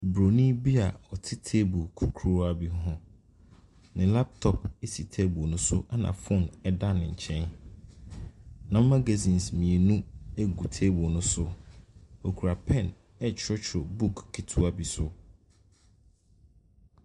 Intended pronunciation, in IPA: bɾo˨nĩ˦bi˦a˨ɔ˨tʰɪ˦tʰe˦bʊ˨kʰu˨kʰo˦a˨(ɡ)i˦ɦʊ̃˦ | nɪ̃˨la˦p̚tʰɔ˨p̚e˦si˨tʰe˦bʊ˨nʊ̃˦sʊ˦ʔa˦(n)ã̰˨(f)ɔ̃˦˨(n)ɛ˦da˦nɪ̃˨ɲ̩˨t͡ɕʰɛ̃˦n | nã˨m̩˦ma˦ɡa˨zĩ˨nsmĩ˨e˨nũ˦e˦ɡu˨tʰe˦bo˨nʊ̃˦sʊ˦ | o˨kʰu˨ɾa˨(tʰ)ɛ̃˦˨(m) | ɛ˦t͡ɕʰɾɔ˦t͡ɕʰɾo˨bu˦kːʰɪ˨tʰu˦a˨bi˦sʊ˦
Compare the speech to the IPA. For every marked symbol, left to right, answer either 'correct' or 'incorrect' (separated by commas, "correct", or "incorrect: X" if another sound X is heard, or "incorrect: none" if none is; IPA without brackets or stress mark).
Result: incorrect: b, correct, correct, correct, incorrect: pʰ, incorrect: n